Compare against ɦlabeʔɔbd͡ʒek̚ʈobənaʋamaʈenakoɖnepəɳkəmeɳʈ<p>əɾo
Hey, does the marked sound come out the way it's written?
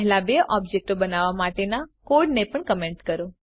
no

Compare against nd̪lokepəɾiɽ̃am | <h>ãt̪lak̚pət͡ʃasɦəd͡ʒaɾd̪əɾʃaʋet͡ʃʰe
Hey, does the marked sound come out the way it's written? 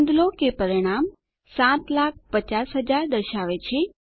no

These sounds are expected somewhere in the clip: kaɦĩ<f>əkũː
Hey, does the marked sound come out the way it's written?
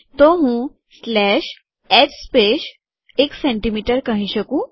no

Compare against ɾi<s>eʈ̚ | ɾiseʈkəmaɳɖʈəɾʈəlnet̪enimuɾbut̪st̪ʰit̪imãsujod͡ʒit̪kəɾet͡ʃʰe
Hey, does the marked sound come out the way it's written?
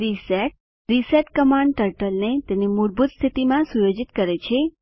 yes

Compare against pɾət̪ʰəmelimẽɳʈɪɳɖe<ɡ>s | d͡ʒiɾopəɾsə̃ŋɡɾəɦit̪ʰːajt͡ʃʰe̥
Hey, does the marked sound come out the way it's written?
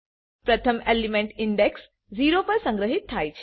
no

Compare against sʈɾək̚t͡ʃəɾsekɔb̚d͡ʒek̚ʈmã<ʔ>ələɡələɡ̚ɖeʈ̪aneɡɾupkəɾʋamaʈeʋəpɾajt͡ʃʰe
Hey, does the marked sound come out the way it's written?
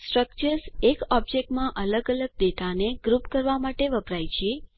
yes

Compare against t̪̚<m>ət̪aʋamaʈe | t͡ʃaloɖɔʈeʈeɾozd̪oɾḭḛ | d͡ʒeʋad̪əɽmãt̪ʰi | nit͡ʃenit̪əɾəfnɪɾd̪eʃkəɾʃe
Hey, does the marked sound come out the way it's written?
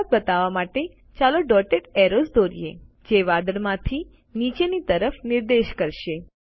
no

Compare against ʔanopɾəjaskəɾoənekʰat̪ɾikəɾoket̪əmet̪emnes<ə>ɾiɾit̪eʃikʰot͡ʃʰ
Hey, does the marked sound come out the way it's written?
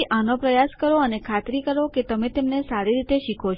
no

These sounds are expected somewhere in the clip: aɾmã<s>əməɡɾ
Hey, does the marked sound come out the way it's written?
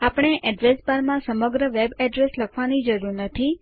yes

